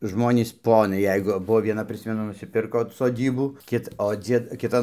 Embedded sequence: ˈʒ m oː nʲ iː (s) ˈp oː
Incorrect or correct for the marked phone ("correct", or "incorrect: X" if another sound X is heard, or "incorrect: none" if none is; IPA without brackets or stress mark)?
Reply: correct